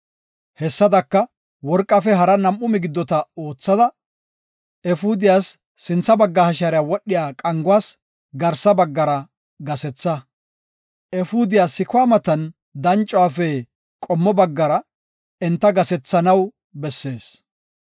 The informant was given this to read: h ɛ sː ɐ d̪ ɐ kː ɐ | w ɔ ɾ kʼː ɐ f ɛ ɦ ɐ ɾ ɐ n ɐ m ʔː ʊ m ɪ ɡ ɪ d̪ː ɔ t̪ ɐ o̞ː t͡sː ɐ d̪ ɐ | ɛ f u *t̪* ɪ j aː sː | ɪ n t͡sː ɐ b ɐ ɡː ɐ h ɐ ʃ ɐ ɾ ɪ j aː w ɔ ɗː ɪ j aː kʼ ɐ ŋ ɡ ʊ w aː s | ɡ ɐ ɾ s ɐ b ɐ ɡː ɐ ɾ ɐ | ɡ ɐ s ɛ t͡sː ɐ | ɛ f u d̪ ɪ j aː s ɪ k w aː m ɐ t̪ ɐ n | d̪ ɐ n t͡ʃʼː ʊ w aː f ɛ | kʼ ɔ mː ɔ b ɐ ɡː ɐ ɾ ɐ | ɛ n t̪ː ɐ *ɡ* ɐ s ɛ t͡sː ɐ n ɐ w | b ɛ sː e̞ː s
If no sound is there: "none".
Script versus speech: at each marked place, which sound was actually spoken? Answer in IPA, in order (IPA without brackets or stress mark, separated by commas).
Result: d̪, ɡ